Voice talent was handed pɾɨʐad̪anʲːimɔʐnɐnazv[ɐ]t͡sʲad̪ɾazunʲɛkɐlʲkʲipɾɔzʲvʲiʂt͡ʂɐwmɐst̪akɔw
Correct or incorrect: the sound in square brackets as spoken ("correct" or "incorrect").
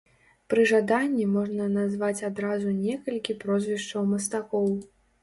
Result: incorrect